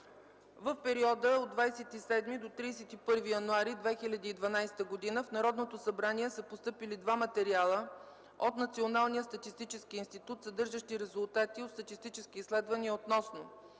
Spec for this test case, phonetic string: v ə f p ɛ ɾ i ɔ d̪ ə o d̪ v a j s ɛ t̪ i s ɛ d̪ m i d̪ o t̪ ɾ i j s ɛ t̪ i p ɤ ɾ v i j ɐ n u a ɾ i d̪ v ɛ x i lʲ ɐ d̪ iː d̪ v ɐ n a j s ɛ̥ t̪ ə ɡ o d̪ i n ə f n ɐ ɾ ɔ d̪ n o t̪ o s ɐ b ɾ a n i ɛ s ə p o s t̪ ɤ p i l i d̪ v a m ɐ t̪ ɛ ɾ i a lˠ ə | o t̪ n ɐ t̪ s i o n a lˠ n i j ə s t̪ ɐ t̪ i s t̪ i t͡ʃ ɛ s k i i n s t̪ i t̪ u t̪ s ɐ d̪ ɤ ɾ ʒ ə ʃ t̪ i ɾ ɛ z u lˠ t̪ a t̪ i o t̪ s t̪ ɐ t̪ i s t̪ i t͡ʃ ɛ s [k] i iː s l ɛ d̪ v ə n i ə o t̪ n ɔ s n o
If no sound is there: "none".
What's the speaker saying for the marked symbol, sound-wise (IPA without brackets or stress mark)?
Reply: k